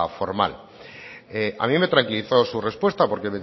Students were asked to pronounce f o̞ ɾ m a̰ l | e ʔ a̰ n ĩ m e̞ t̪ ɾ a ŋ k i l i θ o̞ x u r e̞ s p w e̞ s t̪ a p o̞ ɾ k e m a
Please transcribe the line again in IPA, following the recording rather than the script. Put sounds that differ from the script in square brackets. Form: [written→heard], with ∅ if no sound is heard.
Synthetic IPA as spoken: f o̞ ɾ m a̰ l | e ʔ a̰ [n→m] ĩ m e̞ t̪ ɾ a ŋ k i l i θ o̞ [x→s] u r e̞ s p w e̞ s t̪ a p o̞ ɾ k e m [a→e]